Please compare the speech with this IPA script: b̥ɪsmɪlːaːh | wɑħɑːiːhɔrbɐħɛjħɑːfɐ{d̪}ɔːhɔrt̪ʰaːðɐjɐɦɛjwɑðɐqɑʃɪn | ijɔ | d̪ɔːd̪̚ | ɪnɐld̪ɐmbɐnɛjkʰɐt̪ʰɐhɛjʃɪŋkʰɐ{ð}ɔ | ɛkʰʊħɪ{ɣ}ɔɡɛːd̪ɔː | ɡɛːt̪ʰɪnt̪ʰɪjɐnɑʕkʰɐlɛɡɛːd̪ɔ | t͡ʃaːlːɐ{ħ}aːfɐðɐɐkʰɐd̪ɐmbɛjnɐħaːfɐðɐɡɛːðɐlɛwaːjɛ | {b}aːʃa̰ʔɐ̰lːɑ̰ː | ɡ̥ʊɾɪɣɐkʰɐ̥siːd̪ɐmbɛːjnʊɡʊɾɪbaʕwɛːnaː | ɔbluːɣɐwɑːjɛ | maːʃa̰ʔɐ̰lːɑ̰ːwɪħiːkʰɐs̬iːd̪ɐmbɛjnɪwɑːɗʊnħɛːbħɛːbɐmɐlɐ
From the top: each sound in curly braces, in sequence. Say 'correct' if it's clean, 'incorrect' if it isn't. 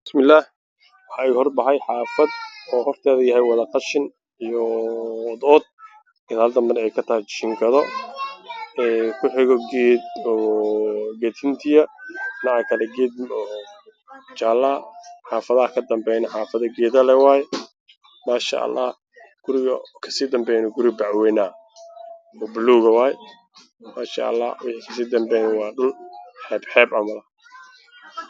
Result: correct, correct, correct, correct, incorrect: m

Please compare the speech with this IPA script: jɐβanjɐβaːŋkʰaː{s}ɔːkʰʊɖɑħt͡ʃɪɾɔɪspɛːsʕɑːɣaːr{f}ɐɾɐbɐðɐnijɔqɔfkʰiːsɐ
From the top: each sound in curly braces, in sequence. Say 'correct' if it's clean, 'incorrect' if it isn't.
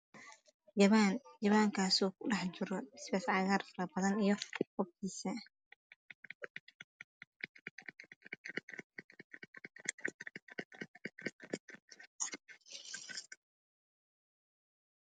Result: correct, correct

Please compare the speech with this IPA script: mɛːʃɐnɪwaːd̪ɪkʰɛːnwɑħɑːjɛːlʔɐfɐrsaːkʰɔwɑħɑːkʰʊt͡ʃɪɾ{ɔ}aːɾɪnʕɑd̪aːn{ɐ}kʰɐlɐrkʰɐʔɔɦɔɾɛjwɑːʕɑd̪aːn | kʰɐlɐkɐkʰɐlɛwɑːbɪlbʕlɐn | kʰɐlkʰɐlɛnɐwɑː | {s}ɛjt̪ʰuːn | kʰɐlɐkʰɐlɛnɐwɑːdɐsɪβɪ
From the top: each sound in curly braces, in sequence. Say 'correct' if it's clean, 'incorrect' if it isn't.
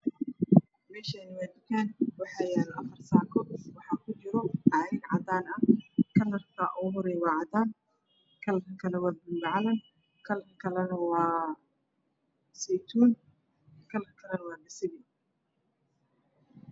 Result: correct, correct, correct

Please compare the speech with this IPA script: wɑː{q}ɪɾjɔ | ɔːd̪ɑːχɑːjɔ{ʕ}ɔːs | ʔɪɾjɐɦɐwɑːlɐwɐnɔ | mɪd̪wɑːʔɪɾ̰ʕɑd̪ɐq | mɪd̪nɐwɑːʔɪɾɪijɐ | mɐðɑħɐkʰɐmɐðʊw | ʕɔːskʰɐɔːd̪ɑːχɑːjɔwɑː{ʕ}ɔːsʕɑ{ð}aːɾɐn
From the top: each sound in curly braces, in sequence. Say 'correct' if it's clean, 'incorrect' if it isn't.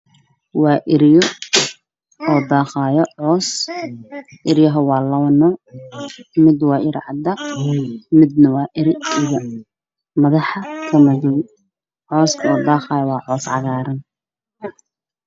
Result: incorrect: ʔ, correct, correct, incorrect: ɣ

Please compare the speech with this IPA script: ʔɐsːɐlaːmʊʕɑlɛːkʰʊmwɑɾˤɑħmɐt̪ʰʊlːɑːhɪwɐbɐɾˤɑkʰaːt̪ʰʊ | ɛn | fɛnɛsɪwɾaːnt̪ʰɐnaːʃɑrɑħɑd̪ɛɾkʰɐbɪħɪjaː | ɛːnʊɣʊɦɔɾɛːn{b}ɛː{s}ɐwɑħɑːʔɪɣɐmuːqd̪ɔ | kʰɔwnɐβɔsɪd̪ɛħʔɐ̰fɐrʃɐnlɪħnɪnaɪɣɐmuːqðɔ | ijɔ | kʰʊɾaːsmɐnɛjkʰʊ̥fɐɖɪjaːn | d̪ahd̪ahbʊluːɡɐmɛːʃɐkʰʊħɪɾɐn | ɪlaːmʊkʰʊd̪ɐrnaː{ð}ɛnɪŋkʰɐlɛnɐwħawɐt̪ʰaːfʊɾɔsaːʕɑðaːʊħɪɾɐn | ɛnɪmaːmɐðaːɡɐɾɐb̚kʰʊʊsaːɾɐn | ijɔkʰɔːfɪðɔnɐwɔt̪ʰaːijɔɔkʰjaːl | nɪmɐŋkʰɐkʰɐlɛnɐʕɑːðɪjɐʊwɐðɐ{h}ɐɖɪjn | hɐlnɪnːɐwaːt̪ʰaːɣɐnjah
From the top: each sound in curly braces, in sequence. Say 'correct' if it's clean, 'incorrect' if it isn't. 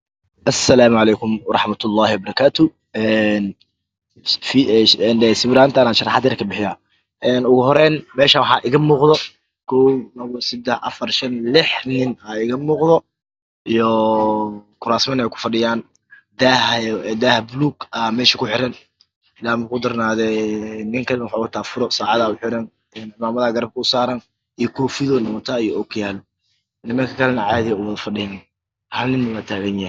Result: incorrect: m, incorrect: ʃ, correct, incorrect: f

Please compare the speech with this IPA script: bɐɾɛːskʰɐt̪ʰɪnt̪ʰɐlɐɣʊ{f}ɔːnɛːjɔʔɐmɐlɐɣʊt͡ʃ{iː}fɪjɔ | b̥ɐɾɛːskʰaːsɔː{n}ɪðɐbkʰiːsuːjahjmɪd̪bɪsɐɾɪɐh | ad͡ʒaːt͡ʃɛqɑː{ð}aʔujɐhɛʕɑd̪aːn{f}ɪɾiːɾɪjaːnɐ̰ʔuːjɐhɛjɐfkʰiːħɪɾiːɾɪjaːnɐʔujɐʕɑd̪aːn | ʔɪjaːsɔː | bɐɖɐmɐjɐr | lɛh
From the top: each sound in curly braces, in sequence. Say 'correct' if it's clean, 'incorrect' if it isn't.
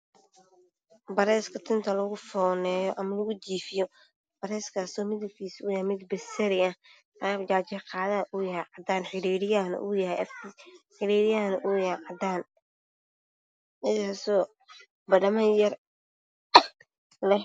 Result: correct, correct, incorrect: m, correct, incorrect: ħ

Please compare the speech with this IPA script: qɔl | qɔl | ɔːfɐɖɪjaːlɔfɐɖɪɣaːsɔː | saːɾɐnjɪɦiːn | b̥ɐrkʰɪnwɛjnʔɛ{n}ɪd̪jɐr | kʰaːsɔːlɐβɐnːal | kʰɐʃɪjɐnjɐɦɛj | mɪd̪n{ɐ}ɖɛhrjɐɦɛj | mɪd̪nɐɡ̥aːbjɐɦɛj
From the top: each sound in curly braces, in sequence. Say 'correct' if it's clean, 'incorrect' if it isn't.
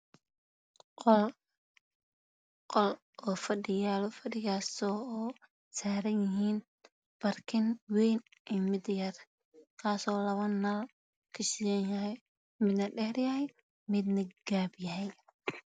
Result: incorrect: m, correct

